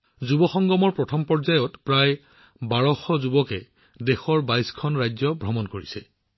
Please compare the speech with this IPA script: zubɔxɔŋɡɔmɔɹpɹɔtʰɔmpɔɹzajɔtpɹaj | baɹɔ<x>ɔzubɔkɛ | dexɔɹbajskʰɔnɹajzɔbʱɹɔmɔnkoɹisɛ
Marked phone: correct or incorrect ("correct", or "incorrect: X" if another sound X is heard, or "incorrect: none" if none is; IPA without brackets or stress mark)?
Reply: correct